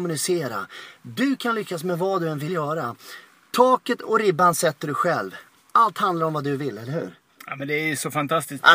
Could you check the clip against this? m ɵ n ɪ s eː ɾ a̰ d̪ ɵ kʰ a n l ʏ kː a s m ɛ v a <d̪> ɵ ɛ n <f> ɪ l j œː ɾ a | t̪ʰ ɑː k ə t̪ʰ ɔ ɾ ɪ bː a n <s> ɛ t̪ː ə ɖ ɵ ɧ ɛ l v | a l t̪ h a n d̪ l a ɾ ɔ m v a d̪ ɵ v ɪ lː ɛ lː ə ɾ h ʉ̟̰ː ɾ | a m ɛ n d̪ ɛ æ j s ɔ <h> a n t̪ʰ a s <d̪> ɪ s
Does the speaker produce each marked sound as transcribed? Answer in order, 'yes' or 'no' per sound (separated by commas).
yes, no, yes, no, no